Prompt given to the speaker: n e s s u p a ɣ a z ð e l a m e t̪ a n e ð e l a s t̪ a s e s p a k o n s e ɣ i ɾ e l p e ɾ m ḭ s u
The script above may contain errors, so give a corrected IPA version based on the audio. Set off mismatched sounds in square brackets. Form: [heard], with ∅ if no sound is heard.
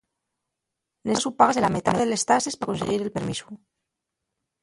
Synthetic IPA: n e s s u p a ɣ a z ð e l a m e t̪ a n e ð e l [e] s t̪ a s e s p a k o n s e ɣ i ɾ e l p e ɾ m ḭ s u